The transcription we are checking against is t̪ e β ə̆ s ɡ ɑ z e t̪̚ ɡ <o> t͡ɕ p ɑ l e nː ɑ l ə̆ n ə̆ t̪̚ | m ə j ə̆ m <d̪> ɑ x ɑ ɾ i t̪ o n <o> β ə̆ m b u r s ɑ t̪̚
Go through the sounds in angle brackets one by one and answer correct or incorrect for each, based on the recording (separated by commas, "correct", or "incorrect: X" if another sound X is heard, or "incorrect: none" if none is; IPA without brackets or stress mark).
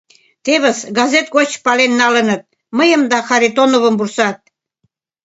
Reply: correct, correct, correct